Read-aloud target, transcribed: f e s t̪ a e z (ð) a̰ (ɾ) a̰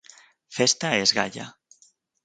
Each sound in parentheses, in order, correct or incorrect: incorrect: ɣ, incorrect: ʎ

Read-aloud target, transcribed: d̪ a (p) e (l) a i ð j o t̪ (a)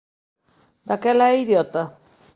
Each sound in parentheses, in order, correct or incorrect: incorrect: k, correct, correct

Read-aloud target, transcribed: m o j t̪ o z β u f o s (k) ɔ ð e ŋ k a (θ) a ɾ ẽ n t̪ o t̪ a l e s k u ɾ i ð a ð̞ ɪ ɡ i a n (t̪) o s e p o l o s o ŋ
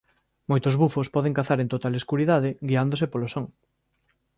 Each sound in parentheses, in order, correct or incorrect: incorrect: p, correct, incorrect: d̪

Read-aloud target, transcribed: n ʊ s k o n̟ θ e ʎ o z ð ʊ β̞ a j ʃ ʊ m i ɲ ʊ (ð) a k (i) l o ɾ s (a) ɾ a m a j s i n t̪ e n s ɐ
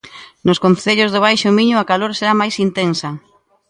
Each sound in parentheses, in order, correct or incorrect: incorrect: none, incorrect: a, incorrect: e

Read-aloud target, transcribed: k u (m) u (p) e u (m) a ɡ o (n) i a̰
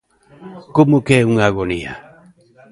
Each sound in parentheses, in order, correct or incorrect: correct, incorrect: k, incorrect: ŋ, correct

